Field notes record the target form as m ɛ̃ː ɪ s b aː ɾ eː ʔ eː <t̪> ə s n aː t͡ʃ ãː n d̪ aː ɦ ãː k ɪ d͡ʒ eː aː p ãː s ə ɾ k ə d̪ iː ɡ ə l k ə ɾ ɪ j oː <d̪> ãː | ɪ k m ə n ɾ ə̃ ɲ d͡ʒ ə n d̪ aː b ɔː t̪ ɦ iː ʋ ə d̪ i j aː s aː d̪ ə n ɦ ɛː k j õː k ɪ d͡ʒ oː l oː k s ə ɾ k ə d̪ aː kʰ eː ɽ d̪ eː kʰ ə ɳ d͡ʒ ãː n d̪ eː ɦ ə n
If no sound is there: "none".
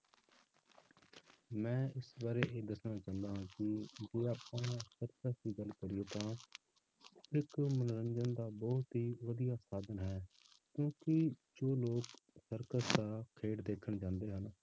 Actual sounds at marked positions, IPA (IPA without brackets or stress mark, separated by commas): d̪, t̪